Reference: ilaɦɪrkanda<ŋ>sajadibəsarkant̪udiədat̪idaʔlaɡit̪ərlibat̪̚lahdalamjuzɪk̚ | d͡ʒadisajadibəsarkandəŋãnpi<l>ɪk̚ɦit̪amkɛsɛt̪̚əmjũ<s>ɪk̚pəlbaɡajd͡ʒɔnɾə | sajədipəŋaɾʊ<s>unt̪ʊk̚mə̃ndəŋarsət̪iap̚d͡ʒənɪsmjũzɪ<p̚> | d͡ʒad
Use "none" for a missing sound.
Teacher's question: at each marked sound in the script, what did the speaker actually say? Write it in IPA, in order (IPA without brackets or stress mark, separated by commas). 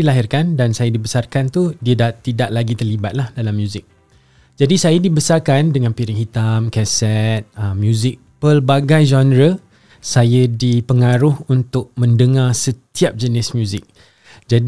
n, ɾ, z, h, k̚